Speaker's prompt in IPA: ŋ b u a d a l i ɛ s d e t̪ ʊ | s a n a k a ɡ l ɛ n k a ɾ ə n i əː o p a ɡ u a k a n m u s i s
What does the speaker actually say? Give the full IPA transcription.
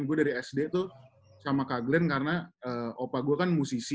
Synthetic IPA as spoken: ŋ ɡ u a d a ɾ i ɛ s d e t̪ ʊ | s a m a k a ɡ l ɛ n k a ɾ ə n a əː o p a ɡ u a k a n m u s i s